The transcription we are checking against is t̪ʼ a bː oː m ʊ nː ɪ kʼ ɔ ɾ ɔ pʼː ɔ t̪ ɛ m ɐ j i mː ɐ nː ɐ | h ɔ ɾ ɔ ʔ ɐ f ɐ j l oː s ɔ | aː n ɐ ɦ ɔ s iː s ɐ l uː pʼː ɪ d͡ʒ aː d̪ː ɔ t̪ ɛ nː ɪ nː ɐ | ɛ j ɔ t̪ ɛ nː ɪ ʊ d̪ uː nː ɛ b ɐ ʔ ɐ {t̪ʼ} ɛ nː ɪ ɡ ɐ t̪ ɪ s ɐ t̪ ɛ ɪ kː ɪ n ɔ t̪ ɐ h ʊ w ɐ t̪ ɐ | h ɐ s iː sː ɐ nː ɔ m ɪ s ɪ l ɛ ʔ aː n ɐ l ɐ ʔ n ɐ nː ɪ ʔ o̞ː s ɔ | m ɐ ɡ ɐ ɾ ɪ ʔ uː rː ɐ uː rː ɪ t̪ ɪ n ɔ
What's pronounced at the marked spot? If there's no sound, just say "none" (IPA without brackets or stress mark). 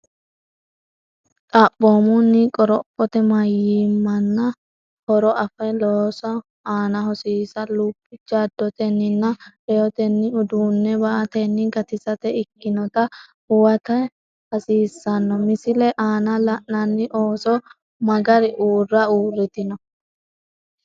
t̪